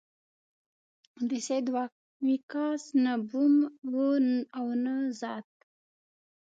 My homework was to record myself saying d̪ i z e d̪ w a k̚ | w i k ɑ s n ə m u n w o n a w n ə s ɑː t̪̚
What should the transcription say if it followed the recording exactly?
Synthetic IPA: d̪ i s e d̪ w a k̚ | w i k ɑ s n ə b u m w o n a w n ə z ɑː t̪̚